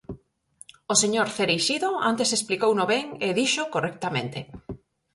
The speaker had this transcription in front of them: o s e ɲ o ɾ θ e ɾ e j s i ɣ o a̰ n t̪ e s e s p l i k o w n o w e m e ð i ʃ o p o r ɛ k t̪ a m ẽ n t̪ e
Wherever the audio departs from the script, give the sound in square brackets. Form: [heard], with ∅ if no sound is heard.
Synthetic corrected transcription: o s e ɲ o ɾ θ e ɾ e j [ʃ] i [ð] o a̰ n t̪ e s e s p l i k o w n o [β] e [ŋ] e ð i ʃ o [k] o r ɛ k t̪ a m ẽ n t̪ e